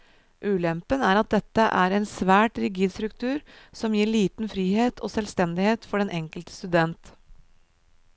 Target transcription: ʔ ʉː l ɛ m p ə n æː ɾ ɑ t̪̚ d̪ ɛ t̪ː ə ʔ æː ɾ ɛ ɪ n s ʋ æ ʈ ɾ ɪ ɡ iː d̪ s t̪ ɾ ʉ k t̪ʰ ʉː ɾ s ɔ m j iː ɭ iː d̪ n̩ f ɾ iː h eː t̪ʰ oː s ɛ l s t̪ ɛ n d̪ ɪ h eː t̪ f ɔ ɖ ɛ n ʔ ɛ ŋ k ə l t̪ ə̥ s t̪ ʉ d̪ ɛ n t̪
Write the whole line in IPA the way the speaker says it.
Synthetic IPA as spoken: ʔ ʉː l ɛ m p ə n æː ɾ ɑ t̪̚ d̪ ɛ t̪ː ə ʔ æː ɾ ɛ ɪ n s ʋ æː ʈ ɾ ɪ ɡ iː d̪ s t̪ ɾ ʉ k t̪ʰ ʉː ɾ s ɔ m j iː ɭ iː t̪ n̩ f ɾ iː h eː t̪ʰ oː s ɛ l s t̪ ɛ n d̪ ɪ h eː t̪ f ɔ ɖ ɛ n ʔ ɛ ŋ k ə l t̪ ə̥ s t̪ ʉ d̪ ɛ n t̪

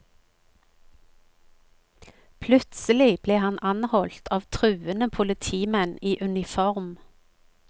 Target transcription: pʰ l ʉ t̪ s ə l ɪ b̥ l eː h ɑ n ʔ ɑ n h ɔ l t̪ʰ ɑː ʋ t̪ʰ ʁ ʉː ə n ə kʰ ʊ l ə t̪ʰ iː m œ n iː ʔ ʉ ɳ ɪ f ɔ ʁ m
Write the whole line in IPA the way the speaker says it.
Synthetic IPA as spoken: pʰ l ʉ t̪ s ə l ɪ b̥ l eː h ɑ n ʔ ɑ n h ɔ l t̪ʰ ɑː ʋ t̪ʰ ʁ ʉː ə n ə pʰ ʊ l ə t̪ʰ iː m ɛ n iː ʔ ʉ n ɪ f ɔ ʁ m

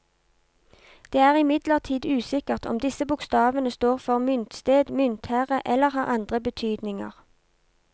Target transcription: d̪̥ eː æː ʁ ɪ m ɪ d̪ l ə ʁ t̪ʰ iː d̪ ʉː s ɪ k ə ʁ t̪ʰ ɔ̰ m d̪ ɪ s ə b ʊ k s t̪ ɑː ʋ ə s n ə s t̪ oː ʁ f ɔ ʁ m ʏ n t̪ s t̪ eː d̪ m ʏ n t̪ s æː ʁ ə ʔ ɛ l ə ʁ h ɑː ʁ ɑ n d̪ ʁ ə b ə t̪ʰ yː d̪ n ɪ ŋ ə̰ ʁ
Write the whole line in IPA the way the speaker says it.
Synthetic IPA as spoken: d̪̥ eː æː ʁ ɪ m ɪ d̪ l ə ʁ t̪ʰ iː d̪ ʉː s ɪ k ə ʁ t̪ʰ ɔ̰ m d̪ ɪ s ə b ʊ k s t̪ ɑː ʋ ə n ə s t̪ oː ʁ f ɔ ʁ m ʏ n t̪ s t̪ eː d̪ m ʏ n t̪ h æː ʁ ə ʔ ɛ l ə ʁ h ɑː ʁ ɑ n d̪ ʁ ə b ə t̪ʰ yː d̪ n ɪ ŋ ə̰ ʁ

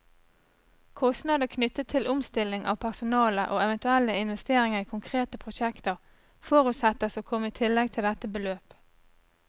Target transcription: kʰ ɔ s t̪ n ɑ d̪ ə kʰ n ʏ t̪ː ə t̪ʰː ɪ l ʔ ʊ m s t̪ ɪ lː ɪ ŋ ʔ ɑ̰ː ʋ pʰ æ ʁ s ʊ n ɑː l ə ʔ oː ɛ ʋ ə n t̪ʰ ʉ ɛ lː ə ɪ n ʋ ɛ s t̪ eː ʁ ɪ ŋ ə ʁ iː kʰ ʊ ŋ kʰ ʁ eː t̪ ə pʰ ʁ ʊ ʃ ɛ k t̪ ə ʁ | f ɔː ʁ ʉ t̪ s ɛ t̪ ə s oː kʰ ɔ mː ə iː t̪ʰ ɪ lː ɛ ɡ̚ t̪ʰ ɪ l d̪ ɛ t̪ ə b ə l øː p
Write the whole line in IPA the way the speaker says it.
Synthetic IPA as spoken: kʰ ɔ s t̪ n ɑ d̪ ə kʰ n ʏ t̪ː ə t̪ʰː ɪ l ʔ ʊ m s t̪ ɪ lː ɪ ŋ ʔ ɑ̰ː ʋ pʰ æ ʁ s ʊ n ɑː l ə ʔ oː ɛ ʋ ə n t̪ ʉ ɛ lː ə ɪ n ʋ ɛ s t̪ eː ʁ ɪ ŋ ə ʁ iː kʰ ʊ ŋ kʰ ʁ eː t̪ ə pʰ ʁ ʊ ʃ ɛ k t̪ ə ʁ | f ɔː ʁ ʉ t̪ s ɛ t̪ ə s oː kʰ ɔ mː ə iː t̪ʰ ɪ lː ɛ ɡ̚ t̪ʰ ɪ l d̪ ɛ t̪ ə b ə l øː p

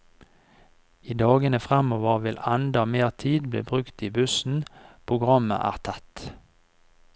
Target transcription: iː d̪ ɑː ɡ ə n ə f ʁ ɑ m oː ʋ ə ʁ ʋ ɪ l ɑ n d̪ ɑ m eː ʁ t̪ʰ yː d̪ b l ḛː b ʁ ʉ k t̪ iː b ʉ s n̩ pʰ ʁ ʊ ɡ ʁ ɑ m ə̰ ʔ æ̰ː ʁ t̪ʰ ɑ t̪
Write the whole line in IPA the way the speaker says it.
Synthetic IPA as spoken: iː d̪ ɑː ɡ ə n ə f ʁ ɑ m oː ʋ ə ʁ ʋ ɪ l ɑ n d̪ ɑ m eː ʁ t̪ʰ iː d̪ b l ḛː b ʁ ʉ k t̪ iː b ʉ s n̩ pʰ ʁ ʊ ɡ ʁ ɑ m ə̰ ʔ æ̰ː ʁ t̪ʰ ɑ t̪

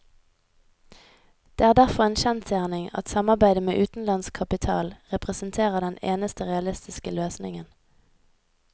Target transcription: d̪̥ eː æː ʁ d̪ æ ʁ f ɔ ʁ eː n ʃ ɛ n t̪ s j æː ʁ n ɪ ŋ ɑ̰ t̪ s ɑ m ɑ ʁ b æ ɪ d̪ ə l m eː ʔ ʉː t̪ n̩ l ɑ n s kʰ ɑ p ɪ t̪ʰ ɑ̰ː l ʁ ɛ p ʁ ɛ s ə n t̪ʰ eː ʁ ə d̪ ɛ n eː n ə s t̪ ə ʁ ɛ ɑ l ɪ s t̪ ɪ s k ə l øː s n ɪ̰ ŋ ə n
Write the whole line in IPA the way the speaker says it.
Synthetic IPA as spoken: d̪̥ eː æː ʁ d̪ æ ʁ f ɔ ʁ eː n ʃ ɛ n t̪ s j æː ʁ n ɪ ŋ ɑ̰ t̪ s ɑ m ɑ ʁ b æ ɪ d̪ ə m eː ʔ ʉː t̪ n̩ l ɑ n s kʰ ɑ p ɪ t̪ʰ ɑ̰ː l ʁ ɛ p ʁ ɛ s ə n t̪ʰ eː ʁ ə d̪ ɛ n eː n ə s t̪ ə ʁ ɛ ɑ l ɪ s t̪ ɪ s k ə l øː s n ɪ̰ ŋ ə n

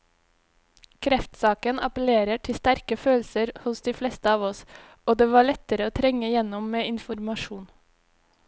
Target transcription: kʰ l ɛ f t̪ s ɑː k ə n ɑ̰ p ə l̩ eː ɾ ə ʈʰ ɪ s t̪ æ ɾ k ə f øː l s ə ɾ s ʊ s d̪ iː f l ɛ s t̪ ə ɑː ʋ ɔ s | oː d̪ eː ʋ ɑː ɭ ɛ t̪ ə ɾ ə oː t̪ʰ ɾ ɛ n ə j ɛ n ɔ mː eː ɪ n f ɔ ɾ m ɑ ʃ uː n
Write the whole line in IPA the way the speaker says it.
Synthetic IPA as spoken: kʰ ɾ ɛ f t̪ s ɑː k ə n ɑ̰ p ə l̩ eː ɾ ə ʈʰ ɪ s t̪ æ ɾ k ə f øː l s ə ɾ h ʊ s d̪ iː f l ɛ s t̪ ə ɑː ʋ ɔ s | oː d̪ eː ʋ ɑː ɭ ɛ t̪ ə ɾ ə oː t̪ʰ ɾ ɛ ŋ ə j ɛ n ɔ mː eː ɪ n f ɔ ɾ m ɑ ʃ uː n

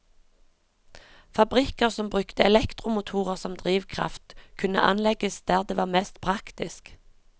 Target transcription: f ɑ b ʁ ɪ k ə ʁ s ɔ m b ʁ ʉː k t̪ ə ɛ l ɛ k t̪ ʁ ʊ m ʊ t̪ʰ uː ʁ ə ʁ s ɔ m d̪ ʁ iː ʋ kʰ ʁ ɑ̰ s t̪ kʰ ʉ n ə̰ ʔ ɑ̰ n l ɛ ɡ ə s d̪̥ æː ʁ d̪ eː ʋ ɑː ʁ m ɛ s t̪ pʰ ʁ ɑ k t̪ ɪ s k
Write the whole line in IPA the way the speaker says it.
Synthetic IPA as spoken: f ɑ b ʁ ɪ k ə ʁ s ɔ m b ʁ ʉ k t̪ ə ɛ l ɛ k t̪ ʁ ʊ m ʊ t̪ʰ uː ʁ ə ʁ s ɔ m d̪ ʁ iː ʋ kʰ ʁ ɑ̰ f t̪ kʰ ʉ n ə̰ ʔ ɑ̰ n l ɛ ɡ ə s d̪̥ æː ʁ d̪ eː ʋ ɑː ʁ m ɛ s t̪ pʰ ʁ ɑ k t̪ ɪ s k

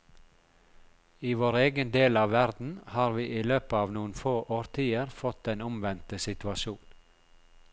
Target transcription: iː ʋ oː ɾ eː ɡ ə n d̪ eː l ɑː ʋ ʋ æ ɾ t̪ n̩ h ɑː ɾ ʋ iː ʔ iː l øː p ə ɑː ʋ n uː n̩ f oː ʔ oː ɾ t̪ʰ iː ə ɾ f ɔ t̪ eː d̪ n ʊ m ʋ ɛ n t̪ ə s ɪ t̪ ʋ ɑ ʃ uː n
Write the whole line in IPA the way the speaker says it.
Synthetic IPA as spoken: iː ʋ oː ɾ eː ɡ ə n d̪ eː l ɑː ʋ ʋ æ ɾ d̪ n̩ h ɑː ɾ ʋ iː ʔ iː l øː p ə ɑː ʋ n uː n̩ f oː ʔ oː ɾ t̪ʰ iː ə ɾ f ɔ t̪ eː n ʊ m ʋ ɛ n t̪ ə s ɪ t̪ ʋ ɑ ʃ uː n

